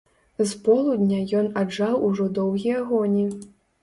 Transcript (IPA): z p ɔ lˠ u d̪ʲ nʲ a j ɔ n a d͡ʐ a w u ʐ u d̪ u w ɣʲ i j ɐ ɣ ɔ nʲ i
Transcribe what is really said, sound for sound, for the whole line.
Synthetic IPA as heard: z p ɔ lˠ u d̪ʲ nʲ a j ɔ n a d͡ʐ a w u ʐ ɔ d̪ ɔ w ɣʲ i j ɐ ɣ ɔ nʲ i